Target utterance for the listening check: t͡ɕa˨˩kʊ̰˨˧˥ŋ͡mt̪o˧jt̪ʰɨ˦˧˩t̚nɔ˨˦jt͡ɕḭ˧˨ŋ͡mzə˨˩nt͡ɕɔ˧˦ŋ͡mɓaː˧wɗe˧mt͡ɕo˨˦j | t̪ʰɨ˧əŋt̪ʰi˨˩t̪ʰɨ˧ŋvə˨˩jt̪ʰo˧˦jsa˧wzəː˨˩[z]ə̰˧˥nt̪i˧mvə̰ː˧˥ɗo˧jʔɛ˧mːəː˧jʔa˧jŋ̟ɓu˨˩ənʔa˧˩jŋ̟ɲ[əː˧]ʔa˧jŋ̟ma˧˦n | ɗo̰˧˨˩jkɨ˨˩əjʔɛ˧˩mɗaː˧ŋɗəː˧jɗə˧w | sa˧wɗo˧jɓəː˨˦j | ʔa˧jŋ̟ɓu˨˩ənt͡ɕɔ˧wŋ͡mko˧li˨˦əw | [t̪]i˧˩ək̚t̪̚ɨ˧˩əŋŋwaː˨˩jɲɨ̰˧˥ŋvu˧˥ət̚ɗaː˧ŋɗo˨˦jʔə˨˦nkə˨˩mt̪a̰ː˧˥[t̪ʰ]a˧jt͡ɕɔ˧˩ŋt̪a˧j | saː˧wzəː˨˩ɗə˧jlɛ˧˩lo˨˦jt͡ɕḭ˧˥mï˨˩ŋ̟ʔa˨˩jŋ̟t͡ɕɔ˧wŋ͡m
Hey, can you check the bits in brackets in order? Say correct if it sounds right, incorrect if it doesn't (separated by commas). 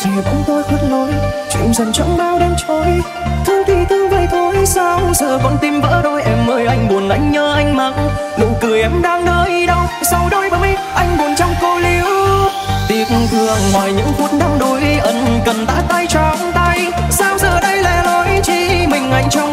incorrect, correct, correct, incorrect